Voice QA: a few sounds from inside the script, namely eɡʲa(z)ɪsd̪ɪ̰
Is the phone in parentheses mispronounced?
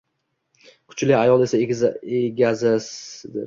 no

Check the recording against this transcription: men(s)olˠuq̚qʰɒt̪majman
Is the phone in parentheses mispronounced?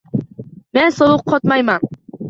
no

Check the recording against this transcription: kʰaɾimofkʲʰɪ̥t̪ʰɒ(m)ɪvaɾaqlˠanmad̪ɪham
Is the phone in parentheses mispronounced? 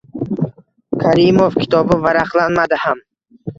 yes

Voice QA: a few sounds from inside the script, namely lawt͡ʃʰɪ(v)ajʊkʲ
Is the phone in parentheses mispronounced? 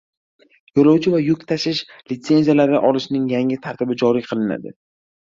no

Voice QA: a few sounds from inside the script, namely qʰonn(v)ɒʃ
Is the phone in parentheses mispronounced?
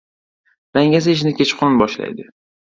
yes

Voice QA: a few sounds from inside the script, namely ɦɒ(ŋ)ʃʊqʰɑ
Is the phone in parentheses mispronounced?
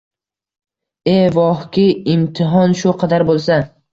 yes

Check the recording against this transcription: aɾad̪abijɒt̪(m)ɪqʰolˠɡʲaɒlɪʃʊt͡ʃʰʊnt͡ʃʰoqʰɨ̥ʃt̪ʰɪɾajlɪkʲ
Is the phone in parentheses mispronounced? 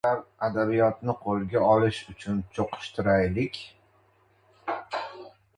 yes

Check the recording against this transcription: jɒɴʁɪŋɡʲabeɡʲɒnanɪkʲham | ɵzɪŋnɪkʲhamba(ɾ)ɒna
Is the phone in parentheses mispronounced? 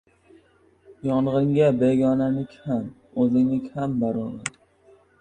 no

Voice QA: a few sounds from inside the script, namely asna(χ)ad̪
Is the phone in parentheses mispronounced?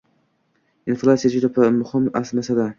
yes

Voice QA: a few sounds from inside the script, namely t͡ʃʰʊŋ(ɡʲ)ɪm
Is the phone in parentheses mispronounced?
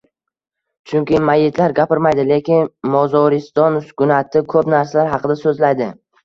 yes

